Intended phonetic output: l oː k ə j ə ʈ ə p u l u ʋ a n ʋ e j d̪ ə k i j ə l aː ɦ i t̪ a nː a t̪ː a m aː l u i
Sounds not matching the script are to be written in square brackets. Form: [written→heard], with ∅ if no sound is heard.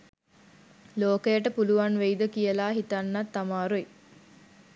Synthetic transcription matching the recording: l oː k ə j ə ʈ ə p u l u ʋ a n ʋ e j d̪ ə k i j ə l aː ɦ i t̪ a nː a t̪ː a m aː [l→ɾ] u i